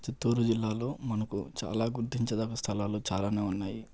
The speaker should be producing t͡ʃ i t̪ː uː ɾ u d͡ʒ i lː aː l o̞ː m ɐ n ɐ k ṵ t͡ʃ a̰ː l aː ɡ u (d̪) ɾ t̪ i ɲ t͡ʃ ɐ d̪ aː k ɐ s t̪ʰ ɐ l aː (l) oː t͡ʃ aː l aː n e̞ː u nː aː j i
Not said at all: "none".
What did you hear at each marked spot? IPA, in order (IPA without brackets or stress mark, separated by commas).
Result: none, l